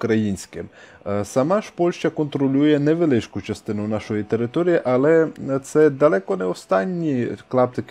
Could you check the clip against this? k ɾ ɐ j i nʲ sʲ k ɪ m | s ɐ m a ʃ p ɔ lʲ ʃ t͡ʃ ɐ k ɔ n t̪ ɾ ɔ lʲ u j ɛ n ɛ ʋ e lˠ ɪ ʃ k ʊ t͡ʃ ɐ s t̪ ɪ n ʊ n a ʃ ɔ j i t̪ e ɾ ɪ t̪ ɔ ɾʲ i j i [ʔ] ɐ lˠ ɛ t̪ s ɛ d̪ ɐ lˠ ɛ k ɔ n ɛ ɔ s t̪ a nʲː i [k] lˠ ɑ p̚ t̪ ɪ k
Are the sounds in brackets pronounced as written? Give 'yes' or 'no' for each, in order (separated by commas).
yes, yes